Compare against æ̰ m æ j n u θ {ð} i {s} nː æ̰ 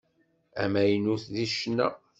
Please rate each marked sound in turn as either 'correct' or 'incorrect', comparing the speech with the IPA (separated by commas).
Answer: correct, incorrect